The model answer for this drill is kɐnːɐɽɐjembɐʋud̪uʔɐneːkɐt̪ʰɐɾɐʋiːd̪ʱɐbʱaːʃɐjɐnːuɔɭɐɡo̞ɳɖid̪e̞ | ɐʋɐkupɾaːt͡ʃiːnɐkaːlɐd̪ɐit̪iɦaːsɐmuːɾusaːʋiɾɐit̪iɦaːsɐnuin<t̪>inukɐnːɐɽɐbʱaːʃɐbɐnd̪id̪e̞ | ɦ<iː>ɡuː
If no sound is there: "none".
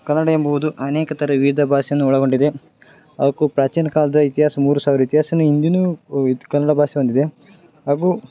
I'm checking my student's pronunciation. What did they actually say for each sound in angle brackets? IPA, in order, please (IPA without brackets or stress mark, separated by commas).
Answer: d̪, aː